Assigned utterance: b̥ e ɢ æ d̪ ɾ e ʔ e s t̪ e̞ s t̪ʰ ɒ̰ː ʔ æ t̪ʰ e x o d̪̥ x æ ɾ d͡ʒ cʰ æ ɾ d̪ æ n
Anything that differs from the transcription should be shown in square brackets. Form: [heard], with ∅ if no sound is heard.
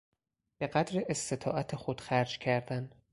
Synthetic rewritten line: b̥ e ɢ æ d̪ ɾ e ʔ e s t̪ e̞ [∅] t̪ʰ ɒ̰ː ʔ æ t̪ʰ e x o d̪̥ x æ ɾ d͡ʒ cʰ æ ɾ d̪ æ n